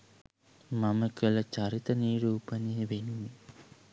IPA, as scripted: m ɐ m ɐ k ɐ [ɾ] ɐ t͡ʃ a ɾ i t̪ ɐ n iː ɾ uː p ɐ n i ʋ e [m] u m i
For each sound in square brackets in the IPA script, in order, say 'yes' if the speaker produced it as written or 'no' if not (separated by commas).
no, no